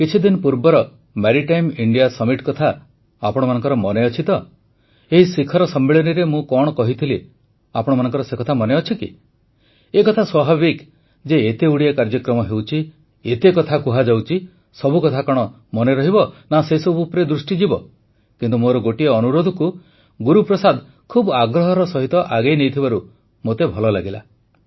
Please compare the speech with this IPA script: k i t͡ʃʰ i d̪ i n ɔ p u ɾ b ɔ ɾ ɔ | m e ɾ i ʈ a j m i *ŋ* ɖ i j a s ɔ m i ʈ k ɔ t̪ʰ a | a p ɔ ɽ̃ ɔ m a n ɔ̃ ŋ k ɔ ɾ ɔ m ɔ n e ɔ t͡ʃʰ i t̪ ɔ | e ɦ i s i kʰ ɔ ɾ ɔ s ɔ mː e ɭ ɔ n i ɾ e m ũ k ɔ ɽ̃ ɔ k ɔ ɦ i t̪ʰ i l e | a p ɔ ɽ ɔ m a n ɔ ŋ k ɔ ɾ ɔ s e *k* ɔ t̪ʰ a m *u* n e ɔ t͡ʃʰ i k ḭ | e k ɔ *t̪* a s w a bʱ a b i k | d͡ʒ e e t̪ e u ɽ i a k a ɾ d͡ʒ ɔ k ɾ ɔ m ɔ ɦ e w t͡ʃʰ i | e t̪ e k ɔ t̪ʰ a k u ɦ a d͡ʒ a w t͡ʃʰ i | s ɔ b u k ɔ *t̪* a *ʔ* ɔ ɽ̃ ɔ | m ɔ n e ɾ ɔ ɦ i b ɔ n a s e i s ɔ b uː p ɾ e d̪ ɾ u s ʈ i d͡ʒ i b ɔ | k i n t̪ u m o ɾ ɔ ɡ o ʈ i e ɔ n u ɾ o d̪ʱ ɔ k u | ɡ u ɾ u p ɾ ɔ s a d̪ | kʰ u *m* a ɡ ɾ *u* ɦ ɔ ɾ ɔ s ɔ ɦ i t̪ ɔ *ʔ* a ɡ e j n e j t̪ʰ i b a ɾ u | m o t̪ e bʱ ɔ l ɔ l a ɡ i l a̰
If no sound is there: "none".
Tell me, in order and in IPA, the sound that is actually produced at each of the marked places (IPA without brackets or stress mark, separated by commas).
ɳ, k, ɔ, t̪ʰ, t̪ʰ, k, b, ɔ, ʔ